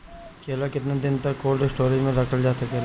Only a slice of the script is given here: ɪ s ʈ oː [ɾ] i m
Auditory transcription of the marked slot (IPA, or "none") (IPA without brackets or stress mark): ɾ